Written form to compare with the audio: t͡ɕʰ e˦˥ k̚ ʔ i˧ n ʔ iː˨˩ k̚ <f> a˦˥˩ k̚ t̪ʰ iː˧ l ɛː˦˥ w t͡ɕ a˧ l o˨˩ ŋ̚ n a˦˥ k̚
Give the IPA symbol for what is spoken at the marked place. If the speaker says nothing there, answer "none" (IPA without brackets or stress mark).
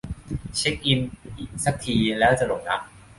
s